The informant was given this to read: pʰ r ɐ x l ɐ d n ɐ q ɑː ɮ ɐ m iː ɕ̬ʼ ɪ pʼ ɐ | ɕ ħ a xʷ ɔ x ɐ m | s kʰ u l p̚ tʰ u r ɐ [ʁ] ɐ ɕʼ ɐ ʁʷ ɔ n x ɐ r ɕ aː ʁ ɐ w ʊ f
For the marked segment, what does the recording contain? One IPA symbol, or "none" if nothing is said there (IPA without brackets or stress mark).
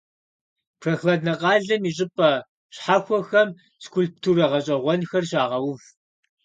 ʁ